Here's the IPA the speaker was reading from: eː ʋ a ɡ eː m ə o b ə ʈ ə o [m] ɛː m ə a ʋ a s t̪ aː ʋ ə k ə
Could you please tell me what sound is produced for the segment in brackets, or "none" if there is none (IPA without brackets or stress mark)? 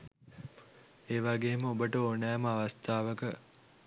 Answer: n